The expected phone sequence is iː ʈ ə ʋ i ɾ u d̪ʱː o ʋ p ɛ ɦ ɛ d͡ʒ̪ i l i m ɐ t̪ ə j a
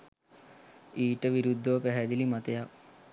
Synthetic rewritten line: iː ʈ ə ʋ i ɾ u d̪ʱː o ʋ p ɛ ɦ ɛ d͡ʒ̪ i l i m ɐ t̪ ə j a